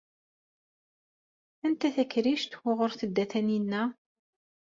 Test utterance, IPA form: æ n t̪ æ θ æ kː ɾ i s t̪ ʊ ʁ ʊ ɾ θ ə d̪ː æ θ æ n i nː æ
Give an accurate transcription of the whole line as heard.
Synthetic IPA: æ n t̪ æ θ æ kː ɾ i ʃ t̪ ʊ ʁ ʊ ɾ θ ə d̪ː æ θ æ n i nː æ